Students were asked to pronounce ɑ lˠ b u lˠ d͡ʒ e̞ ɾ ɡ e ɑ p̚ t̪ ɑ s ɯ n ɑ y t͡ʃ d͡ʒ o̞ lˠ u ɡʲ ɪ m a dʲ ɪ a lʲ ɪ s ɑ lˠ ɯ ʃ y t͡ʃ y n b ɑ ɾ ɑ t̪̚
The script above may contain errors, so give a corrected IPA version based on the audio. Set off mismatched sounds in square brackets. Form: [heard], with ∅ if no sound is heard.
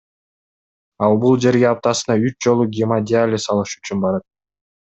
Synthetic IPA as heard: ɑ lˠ b u lˠ d͡ʒ e̞ ɾ ɡ e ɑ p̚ t̪ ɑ s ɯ n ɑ y t͡ʃ d͡ʒ o̞ lˠ u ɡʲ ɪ m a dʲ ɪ a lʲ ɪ s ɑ lˠ ɯ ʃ y t͡ʃ y n b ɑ ɾ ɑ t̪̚